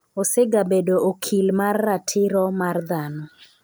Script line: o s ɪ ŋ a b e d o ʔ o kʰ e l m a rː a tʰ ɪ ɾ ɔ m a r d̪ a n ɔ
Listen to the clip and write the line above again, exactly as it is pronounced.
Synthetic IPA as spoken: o s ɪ ɡ a b e d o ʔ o kʰ i l m a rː a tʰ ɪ ɾ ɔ m a r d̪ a n ɔ